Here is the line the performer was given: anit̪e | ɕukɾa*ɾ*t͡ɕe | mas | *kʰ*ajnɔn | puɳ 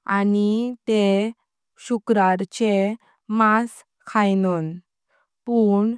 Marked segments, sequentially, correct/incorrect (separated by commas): correct, correct